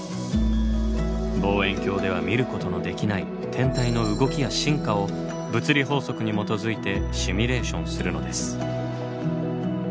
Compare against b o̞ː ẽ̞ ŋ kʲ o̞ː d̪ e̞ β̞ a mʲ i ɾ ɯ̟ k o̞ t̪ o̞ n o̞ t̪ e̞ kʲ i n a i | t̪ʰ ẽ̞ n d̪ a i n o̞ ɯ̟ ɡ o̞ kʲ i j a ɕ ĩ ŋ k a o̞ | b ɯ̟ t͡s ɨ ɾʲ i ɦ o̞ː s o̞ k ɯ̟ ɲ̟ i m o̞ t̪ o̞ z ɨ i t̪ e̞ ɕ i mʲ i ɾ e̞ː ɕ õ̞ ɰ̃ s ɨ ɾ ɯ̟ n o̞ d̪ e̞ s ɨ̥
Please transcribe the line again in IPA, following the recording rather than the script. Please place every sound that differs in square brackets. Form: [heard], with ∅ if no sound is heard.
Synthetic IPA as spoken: b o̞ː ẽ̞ ŋ kʲ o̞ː d̪ e̞ β̞ a mʲ i ɾ ɯ̟ k o̞ t̪ o̞ n o̞ [d̪] e̞ kʲ i n a i | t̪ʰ ẽ̞ n [t̪] a i n o̞ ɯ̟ ɡ o̞ kʲ i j a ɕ ĩ ŋ k a o̞ | b ɯ̟ t͡s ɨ ɾʲ i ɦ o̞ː s o̞ k ɯ̟ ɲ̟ i m o̞ t̪ o̞ z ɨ i t̪ e̞ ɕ i mʲ i ɾ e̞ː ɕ õ̞ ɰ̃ s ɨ ɾ ɯ̟ n o̞ d̪ e̞ s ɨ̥